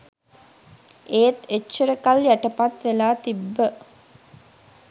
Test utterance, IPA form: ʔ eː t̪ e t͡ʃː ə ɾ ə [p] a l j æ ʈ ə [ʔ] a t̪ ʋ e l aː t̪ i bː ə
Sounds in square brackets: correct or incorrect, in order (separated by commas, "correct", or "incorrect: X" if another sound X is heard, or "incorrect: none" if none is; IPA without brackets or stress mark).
incorrect: k, incorrect: p